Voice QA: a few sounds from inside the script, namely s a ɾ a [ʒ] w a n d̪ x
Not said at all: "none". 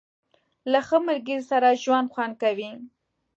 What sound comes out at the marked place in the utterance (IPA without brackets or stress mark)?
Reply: ʒ